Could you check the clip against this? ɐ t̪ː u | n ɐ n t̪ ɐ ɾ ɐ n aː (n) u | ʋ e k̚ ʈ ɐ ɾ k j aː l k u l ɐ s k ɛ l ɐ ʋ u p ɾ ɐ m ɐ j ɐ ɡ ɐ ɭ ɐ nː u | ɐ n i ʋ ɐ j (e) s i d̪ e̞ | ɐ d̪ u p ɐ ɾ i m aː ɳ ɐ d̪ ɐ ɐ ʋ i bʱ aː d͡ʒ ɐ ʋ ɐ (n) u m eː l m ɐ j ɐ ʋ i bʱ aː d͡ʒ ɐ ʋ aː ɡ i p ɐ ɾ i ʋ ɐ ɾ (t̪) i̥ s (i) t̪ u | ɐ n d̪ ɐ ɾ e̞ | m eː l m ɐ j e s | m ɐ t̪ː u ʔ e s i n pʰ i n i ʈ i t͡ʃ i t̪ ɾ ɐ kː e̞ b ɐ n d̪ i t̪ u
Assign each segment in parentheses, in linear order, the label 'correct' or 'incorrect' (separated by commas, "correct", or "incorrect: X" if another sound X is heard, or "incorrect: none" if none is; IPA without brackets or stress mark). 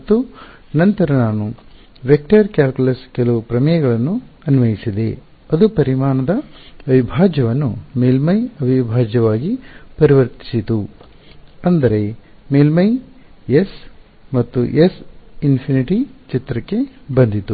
correct, incorrect: i, incorrect: nː, correct, correct